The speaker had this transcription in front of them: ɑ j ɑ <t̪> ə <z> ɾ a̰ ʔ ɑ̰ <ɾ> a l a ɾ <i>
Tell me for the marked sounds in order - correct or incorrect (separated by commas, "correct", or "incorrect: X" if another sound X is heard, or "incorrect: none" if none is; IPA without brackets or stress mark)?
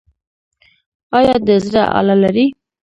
incorrect: d̪, correct, incorrect: l, correct